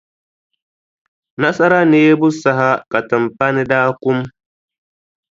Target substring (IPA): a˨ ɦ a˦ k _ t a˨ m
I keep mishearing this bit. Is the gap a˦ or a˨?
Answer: a˨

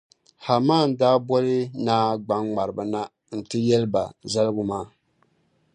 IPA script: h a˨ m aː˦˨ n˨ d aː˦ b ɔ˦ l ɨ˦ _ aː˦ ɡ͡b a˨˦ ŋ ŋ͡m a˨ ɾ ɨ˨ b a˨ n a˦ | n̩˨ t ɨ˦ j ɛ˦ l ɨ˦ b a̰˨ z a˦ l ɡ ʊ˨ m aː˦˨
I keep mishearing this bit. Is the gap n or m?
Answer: n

